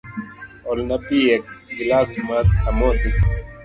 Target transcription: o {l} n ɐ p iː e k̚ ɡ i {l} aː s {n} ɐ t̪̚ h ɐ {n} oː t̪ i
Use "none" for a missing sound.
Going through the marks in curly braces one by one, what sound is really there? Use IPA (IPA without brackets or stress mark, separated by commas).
l, l, m, m